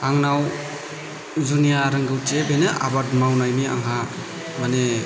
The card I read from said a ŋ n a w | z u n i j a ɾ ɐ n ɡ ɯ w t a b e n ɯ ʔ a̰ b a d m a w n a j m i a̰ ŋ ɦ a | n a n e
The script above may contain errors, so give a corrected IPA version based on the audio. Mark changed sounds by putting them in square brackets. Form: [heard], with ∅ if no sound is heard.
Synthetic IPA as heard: a ŋ n a w | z u n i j a ɾ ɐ [ŋ] ɡ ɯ w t [e] b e n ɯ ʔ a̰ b a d m a w n a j m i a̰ ŋ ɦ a | [m] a n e